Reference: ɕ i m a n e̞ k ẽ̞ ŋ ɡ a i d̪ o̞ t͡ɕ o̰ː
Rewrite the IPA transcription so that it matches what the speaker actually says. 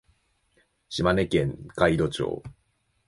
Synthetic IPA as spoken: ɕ i m a n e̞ k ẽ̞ ŋ k a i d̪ o̞ t͡ɕ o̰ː